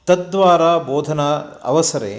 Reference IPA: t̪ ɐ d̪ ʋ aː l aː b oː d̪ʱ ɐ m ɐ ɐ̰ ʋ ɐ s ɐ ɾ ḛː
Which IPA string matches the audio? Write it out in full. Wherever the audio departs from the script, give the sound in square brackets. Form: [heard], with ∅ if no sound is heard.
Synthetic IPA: t̪ ɐ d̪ ʋ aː [ɾ] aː b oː d̪ʱ ɐ [n] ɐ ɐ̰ ʋ ɐ s ɐ ɾ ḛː